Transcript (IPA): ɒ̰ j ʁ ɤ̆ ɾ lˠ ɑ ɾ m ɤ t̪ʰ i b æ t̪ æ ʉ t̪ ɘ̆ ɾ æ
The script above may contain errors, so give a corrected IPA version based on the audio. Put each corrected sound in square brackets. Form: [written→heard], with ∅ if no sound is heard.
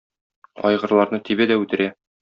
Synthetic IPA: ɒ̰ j ʁ ɤ̆ ɾ lˠ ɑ ɾ [m→n] ɤ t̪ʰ i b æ [t̪→d̪] æ ʉ t̪ ɘ̆ ɾ æ